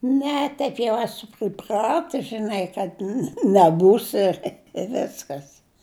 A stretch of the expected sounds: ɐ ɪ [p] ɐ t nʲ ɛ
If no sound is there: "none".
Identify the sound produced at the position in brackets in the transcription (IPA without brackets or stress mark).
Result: k